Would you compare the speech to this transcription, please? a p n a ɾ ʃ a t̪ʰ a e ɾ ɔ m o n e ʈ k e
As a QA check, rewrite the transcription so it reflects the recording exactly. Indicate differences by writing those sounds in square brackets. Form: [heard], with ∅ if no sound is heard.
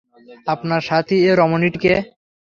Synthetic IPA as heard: a p n a ɾ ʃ a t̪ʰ [i] e ɾ ɔ m o n [i] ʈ k e